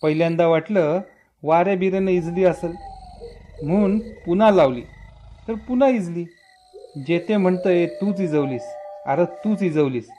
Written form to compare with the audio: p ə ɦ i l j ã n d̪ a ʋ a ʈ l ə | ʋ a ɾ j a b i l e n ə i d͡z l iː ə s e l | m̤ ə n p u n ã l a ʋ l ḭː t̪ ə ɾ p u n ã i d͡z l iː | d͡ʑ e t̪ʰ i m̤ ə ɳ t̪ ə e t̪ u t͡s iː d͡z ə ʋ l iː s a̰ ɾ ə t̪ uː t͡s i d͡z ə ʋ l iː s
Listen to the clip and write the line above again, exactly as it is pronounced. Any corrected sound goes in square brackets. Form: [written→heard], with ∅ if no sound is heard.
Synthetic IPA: p ə ɦ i l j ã n d̪ a ʋ a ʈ l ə | ʋ a ɾ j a b i [l→ɾ] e n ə i d͡z l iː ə s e l | m̤ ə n p u n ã l a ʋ l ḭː t̪ ə ɾ p u n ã i d͡z l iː | d͡ʑ e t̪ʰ [i→e] m̤ ə ɳ t̪ ə e t̪ u t͡s [iː→i] d͡z ə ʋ l iː s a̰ ɾ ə t̪ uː t͡s i d͡z ə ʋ l iː s